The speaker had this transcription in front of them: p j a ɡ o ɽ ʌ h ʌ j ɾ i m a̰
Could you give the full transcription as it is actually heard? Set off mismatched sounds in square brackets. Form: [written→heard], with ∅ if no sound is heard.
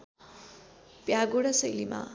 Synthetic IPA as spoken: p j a ɡ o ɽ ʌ [h→s] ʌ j [ɾ→l] i m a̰